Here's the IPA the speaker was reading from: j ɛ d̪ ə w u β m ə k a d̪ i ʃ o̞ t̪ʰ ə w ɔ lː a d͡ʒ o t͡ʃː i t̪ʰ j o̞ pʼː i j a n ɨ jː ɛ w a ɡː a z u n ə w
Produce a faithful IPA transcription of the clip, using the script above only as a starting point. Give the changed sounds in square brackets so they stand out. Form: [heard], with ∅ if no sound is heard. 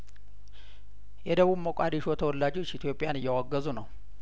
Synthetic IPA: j ɛ d̪ ə [β] u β m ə [kʼ] a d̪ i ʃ o̞ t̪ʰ ə w ɔ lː a d͡ʒ o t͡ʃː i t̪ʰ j o̞ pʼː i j a n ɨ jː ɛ w a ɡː [ə] z u n ə w